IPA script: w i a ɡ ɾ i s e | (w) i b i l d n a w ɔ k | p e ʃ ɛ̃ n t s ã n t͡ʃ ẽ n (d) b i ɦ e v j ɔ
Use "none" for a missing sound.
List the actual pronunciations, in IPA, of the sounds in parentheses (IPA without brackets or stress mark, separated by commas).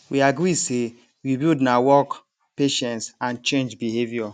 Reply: w, d͡ʒ